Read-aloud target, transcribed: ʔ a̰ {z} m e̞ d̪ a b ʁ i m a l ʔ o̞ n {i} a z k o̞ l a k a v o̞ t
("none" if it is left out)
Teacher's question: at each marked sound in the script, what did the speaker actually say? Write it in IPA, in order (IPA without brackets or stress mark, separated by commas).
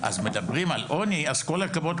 z, i